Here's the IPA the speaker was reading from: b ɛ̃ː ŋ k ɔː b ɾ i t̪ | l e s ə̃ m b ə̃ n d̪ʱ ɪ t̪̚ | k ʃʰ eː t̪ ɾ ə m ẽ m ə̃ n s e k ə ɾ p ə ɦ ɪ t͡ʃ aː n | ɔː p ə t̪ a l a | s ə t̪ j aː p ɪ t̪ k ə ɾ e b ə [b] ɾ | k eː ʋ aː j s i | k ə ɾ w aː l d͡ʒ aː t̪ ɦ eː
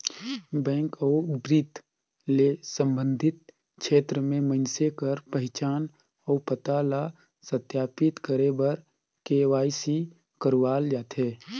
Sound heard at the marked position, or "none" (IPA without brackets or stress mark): none